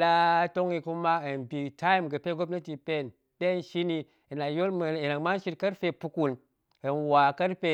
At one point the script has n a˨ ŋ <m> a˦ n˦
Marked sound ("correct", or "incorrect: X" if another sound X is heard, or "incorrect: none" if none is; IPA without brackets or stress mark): correct